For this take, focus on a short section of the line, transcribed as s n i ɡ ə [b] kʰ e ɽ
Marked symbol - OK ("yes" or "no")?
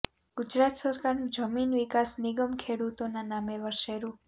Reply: no